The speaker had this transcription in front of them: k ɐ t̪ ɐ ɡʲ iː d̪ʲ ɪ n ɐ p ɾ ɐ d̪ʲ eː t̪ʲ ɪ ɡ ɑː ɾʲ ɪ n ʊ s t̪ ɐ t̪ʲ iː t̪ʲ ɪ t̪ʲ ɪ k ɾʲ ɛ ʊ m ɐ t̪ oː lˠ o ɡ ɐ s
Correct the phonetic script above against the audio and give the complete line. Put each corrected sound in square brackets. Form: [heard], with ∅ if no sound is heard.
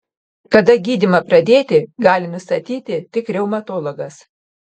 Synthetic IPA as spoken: k ɐ [d̪] ɐ ɡʲ iː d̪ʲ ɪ [m] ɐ p ɾ ɐ d̪ʲ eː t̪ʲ ɪ ɡ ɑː [lʲ] ɪ n ʊ s t̪ ɐ t̪ʲ iː t̪ʲ ɪ t̪ʲ ɪ k ɾʲ ɛ ʊ m ɐ t̪ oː lˠ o ɡ ɐ s

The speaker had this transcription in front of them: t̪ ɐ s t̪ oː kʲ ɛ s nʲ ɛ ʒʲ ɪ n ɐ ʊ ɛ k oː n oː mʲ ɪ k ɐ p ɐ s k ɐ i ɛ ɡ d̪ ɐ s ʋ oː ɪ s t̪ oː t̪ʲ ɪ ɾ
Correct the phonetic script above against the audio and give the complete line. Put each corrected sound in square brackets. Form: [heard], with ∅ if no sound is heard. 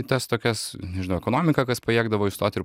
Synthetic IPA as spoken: t̪ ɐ s t̪ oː kʲ ɛ s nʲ ɛ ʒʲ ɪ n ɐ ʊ ɛ k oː n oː mʲ ɪ k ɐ [k] ɐ s [p] ɐ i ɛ ɡ d̪ ɐ [∅] ʋ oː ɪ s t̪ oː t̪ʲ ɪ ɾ

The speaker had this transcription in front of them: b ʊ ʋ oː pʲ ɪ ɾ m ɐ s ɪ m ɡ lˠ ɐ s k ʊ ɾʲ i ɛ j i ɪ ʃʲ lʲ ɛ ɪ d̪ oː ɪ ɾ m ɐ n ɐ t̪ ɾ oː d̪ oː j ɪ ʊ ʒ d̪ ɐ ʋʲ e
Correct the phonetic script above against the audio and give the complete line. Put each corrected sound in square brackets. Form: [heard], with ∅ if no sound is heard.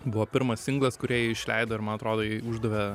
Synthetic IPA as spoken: b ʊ ʋ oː pʲ ɪ ɾ m ɐ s ɪ [ŋ] ɡ lˠ ɐ s k ʊ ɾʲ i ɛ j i ɪ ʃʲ lʲ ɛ ɪ d̪ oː ɪ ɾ m ɐ n ɐ t̪ ɾ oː d̪ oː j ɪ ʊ ʒ d̪ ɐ ʋʲ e

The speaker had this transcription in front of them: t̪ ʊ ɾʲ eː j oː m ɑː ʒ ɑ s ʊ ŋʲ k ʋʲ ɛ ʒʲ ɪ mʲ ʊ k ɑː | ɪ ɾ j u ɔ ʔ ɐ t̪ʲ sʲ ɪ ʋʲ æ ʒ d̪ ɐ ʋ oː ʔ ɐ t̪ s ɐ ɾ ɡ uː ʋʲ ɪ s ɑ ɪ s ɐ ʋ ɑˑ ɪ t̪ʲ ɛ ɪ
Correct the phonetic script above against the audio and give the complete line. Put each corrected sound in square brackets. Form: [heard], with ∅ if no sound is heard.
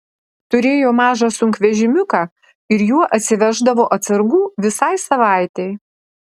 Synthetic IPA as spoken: t̪ ʊ ɾʲ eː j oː m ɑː ʒ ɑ s ʊ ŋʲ k ʋʲ ɛ ʒʲ ɪ mʲ ʊ k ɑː | ɪ ɾ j u ɔ ʔ ɐ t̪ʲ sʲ ɪ ʋʲ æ ʒ d̪ ɐ ʋ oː ʔ ɐ t̪ s ɐ ɾ ɡ uː ʋʲ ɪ s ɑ ɪ s ɐ ʋ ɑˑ ɪ t̪ʲ ɛ ɪ

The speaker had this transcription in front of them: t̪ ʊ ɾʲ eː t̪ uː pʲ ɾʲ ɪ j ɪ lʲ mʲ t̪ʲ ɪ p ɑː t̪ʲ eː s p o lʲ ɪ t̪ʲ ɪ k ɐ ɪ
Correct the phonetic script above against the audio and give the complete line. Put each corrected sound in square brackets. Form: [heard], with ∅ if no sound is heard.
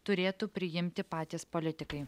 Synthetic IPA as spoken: t̪ ʊ ɾʲ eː t̪ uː pʲ ɾʲ ɪ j ɪ [∅] mʲ t̪ʲ ɪ p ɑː t̪ʲ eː s p o lʲ ɪ t̪ʲ ɪ k ɐ ɪ

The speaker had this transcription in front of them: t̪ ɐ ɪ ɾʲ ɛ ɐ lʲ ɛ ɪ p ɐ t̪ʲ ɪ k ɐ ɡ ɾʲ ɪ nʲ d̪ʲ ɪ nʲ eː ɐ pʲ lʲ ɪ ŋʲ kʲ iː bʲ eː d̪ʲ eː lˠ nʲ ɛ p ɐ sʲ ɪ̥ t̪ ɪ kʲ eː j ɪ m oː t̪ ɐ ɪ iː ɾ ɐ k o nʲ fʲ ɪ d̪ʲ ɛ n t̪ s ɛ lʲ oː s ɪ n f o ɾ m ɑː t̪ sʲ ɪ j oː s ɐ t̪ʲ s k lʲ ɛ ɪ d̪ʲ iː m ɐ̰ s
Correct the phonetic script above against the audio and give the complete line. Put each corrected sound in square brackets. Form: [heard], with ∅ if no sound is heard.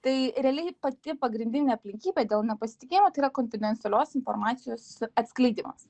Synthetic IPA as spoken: t̪ ɐ ɪ ɾʲ ɛ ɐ lʲ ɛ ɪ p ɐ t̪ʲ ɪ [p] ɐ ɡ ɾʲ ɪ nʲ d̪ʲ ɪ nʲ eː ɐ pʲ lʲ ɪ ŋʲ kʲ iː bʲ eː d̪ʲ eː lˠ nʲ ɛ p ɐ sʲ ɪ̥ t̪ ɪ kʲ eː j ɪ m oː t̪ ɐ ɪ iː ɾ ɐ k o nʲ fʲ ɪ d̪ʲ ɛ n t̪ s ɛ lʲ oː s ɪ n f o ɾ m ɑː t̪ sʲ ɪ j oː s ɐ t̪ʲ s k lʲ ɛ ɪ d̪ʲ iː m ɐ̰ s

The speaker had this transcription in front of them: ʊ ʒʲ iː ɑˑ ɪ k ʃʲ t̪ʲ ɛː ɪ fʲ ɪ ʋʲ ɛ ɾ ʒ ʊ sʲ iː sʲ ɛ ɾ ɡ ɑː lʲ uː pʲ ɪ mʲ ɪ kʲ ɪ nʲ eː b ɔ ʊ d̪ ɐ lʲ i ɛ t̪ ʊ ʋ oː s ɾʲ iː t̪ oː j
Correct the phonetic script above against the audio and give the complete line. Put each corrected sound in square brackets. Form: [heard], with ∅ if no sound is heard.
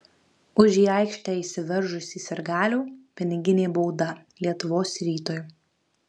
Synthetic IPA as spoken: ʊ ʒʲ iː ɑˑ ɪ k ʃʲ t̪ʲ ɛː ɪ [sʲ] ɪ ʋʲ ɛ ɾ ʒ ʊ sʲ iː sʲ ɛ ɾ ɡ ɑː lʲ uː pʲ ɪ [nʲ] ɪ [ɡʲ] ɪ nʲ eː b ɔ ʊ d̪ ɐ lʲ i ɛ t̪ ʊ ʋ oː s ɾʲ iː t̪ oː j

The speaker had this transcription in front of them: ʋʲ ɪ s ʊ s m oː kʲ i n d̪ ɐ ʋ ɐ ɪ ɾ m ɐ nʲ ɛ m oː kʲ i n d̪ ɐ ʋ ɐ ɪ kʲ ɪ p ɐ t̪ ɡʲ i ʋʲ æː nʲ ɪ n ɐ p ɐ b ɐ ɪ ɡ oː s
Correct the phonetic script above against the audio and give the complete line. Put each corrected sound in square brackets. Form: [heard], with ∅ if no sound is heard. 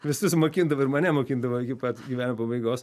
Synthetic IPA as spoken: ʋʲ ɪ s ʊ s m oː kʲ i n d̪ ɐ ʋ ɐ ɪ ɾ m ɐ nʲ ɛ m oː kʲ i n d̪ ɐ ʋ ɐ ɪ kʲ ɪ p ɐ t̪ ɡʲ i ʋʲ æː nʲ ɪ [m] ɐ p ɐ b ɐ ɪ ɡ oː s

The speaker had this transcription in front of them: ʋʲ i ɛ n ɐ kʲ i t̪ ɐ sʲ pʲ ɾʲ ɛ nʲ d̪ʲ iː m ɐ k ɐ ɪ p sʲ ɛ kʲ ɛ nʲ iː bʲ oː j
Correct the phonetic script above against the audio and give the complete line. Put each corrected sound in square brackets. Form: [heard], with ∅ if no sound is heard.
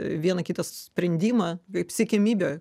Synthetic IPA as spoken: ʋʲ i ɛ n ɐ kʲ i t̪ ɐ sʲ pʲ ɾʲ ɛ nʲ d̪ʲ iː m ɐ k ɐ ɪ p sʲ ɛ kʲ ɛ [mʲ] iː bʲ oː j

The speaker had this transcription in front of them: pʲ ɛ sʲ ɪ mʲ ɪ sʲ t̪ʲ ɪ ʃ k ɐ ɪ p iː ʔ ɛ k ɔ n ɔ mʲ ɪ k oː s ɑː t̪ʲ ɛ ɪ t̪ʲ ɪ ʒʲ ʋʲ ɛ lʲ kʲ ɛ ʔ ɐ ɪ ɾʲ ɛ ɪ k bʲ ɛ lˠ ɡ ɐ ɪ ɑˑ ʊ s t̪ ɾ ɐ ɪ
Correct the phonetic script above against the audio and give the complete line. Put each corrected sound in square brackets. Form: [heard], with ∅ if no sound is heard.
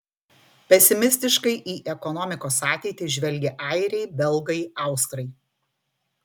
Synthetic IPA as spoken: pʲ ɛ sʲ ɪ mʲ ɪ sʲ t̪ʲ ɪ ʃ k ɐ ɪ [ʔ] iː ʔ ɛ k ɔ n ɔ mʲ ɪ k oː s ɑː t̪ʲ ɛ ɪ t̪ʲ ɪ ʒʲ ʋʲ ɛ lʲ [ɡʲ] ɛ ʔ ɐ ɪ ɾʲ ɛ ɪ [∅] bʲ ɛ lˠ ɡ ɐ ɪ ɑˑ ʊ s t̪ ɾ ɐ ɪ

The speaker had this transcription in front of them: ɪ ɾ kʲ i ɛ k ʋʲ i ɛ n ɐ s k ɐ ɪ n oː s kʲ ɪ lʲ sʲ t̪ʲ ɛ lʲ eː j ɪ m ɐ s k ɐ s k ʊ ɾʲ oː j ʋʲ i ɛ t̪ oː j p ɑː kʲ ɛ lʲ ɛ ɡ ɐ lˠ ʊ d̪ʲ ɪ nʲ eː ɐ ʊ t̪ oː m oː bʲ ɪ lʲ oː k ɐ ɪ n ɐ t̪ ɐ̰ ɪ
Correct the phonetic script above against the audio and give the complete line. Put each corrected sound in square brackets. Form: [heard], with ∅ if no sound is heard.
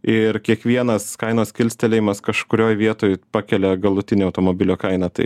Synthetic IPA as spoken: ɪ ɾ kʲ i ɛ k ʋʲ i ɛ n ɐ s k ɐ ɪ n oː s kʲ ɪ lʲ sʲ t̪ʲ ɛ lʲ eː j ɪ m ɐ s k ɐ [ʃ] k ʊ ɾʲ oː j ʋʲ i ɛ t̪ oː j p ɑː kʲ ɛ lʲ ɛ ɡ ɐ lˠ ʊ [t̪ʲ] ɪ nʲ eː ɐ ʊ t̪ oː m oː bʲ ɪ lʲ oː k ɐ ɪ n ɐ t̪ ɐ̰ ɪ

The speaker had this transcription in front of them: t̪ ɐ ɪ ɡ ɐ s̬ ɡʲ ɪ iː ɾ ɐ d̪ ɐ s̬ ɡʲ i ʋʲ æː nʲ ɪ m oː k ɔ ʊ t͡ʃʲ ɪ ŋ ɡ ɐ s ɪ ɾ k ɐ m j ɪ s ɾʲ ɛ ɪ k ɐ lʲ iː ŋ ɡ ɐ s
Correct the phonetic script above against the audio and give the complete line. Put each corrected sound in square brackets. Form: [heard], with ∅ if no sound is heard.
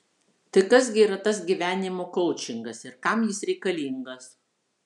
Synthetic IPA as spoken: t̪ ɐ ɪ [k] ɐ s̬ ɡʲ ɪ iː ɾ ɐ [t̪] ɐ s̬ ɡʲ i ʋʲ æː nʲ ɪ m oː k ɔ ʊ t͡ʃʲ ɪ ŋ ɡ ɐ s ɪ ɾ k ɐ m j ɪ s ɾʲ ɛ ɪ k ɐ lʲ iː ŋ ɡ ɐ s

